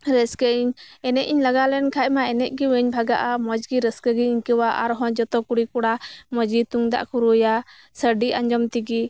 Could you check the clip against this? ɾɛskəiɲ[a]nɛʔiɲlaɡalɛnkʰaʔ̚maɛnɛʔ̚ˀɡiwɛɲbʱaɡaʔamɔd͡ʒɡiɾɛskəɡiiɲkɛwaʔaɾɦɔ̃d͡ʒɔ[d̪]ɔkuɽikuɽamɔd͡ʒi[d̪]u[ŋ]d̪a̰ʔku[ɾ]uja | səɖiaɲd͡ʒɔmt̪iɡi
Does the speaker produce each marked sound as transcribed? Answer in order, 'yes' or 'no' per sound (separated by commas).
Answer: no, no, no, yes, yes